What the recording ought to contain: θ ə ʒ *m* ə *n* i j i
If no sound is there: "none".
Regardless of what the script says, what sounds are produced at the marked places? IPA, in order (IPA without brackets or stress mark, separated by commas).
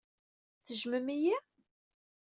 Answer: m, m